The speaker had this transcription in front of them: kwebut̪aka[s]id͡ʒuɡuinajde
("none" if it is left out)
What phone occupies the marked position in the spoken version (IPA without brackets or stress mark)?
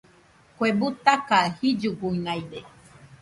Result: h